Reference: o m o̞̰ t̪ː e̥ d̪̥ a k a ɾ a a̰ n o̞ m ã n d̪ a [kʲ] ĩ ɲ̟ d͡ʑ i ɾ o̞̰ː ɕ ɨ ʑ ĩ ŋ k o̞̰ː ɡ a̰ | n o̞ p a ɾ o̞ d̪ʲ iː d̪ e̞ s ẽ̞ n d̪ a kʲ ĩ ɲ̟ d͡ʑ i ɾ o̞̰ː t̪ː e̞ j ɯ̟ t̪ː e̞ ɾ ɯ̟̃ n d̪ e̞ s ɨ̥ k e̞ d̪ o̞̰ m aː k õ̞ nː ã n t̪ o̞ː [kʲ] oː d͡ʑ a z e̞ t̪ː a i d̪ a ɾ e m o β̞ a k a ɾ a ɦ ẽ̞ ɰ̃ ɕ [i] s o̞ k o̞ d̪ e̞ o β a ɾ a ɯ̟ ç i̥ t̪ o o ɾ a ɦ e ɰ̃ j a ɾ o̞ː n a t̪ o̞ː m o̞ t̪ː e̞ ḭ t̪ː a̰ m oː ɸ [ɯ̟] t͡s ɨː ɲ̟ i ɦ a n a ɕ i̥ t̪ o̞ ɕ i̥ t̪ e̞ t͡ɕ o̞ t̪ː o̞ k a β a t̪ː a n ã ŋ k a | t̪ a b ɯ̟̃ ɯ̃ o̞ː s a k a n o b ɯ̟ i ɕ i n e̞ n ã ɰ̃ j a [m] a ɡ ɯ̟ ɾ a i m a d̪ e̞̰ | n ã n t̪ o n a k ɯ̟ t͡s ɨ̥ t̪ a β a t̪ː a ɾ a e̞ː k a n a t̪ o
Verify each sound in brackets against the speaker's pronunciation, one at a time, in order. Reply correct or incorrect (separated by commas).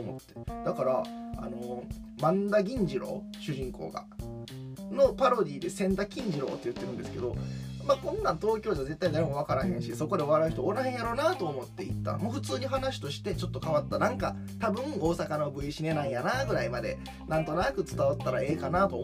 incorrect, correct, correct, correct, incorrect